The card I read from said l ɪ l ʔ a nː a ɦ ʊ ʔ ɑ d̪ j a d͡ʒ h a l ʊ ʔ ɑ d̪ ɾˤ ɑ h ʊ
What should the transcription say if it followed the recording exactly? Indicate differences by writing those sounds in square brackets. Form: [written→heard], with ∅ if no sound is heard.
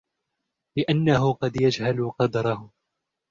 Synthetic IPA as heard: l ɪ [l→∅] ʔ a nː a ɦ ʊ [ʔ→q] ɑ d̪ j a d͡ʒ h a l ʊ [ʔ→q] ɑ d̪ ɾˤ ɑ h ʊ